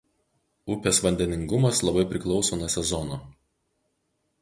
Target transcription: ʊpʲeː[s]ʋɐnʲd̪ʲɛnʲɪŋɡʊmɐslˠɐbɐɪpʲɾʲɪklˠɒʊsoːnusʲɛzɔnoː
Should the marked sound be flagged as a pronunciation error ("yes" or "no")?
no